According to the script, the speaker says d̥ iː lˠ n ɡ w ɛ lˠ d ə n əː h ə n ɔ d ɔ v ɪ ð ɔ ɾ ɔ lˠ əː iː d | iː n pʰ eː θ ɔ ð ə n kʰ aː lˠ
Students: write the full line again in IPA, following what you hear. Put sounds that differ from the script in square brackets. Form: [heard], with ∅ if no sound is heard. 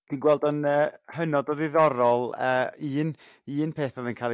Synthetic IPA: d̥ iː [∅] n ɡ w ɛ lˠ d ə n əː h ə n ɔ d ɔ [ð] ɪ ð ɔ ɾ ɔ lˠ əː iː [n] | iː n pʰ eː θ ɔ ð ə n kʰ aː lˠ